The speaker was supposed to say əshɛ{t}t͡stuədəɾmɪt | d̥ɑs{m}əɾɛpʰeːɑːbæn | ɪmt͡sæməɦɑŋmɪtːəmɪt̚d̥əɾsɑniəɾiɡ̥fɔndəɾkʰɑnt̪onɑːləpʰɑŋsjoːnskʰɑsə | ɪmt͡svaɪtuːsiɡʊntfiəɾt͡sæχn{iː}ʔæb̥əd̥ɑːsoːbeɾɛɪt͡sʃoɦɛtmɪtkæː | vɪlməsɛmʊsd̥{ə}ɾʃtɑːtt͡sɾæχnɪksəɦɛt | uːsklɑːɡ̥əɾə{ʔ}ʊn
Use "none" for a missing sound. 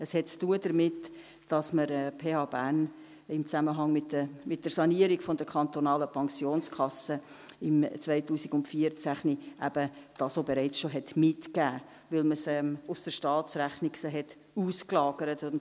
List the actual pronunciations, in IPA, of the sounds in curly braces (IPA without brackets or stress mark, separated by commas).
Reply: t, m, i, ə, t